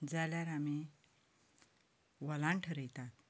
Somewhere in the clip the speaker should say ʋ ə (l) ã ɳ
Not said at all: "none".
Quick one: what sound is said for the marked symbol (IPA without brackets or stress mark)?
l